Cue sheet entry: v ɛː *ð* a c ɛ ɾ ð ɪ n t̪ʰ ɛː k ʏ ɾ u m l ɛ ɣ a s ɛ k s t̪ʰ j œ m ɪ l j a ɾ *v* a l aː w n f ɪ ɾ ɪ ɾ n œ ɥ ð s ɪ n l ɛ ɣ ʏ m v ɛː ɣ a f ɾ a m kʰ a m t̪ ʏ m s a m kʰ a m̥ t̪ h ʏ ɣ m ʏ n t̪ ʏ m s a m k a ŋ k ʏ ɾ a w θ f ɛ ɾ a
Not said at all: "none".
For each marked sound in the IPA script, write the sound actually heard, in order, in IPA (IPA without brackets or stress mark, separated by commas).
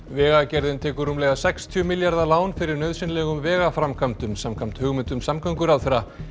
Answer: ɣ, ð